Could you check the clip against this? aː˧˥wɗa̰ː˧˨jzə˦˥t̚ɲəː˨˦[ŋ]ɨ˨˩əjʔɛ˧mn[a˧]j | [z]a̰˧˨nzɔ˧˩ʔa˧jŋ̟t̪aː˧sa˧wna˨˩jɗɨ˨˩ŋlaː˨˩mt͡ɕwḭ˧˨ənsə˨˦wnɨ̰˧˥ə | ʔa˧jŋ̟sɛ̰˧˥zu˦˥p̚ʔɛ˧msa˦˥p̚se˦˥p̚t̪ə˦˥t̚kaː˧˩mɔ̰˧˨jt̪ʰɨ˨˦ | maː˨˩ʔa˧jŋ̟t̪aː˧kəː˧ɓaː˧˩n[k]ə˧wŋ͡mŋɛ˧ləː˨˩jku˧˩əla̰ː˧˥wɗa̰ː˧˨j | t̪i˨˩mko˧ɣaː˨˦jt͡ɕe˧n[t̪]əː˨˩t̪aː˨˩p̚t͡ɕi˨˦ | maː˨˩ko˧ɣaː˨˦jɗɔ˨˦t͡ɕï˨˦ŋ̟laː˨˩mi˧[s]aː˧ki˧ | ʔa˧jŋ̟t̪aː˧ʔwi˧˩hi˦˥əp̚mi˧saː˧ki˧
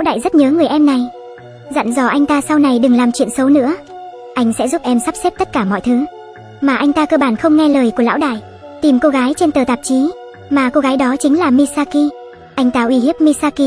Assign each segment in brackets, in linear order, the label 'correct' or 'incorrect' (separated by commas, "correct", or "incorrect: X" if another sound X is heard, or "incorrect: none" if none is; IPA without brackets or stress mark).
correct, incorrect: a˨˩, correct, incorrect: x, correct, correct